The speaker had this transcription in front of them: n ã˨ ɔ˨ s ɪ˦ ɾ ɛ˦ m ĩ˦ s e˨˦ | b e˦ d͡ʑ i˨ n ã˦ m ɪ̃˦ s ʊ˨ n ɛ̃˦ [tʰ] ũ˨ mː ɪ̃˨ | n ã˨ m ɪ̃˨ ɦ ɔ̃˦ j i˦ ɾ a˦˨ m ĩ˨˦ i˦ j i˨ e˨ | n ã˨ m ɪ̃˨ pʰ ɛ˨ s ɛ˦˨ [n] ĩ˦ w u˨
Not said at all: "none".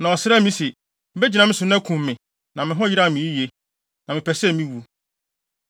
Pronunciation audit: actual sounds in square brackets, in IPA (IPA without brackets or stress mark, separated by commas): kʰ, m